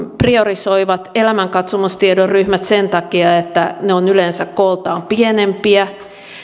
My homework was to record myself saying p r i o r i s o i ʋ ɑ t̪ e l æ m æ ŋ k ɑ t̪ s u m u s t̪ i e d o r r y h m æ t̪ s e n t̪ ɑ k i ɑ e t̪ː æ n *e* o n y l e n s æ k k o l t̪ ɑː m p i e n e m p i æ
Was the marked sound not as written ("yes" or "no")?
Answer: no